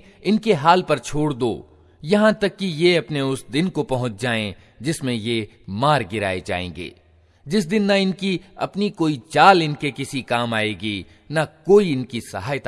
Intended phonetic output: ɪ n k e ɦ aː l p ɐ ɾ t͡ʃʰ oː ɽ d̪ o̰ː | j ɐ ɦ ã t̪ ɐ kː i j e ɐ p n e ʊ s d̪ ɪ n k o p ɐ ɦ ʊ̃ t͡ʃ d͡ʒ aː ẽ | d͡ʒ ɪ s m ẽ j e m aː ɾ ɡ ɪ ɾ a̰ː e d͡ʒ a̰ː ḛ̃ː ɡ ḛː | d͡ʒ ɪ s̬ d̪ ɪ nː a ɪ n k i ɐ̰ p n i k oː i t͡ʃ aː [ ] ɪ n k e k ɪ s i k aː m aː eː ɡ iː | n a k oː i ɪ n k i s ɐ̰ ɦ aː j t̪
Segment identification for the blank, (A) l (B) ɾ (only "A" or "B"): A